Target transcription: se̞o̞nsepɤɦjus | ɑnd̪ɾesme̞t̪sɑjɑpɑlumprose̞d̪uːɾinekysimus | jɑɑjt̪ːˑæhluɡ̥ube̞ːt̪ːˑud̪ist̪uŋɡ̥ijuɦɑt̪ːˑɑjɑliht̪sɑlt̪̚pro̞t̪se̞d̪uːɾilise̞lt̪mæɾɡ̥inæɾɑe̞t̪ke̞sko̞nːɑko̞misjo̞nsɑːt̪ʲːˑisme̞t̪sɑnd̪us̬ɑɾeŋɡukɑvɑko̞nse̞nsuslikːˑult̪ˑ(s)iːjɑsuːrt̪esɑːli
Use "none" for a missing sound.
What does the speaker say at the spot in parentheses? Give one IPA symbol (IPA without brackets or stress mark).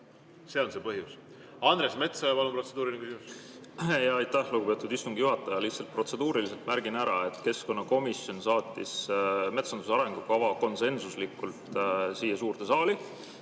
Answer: s